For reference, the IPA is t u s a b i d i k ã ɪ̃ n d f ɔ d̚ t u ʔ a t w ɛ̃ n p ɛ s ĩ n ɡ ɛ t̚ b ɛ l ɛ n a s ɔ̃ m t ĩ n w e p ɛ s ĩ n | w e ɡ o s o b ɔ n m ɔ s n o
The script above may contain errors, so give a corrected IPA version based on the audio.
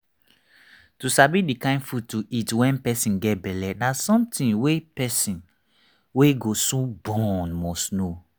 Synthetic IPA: t u s a b i d i k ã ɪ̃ n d f u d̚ t u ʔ i t w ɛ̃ n p ɛ s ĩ n ɡ ɛ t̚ b ɛ l ɛ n a s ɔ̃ m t ĩ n w e p ɛ s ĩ n | w e ɡ o s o b ɔ n m ɔ s n o